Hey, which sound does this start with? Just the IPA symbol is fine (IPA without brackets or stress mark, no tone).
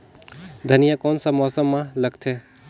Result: d̪ʱ